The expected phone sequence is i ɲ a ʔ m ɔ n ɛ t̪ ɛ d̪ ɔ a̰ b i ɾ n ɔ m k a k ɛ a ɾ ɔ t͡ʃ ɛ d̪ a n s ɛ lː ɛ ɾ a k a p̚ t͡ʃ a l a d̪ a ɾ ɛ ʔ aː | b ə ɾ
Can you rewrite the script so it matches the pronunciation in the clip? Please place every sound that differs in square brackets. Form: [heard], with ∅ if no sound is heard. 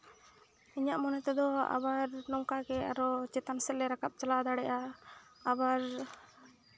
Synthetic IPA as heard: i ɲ a ʔ m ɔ n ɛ t̪ ɛ d̪ ɔ a̰ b [a] ɾ n ɔ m k a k ɛ a ɾ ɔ t͡ʃ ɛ [t̪] a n s ɛ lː ɛ ɾ a k a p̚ t͡ʃ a l a d̪ a [ɽ] ɛ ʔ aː | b [a] ɾ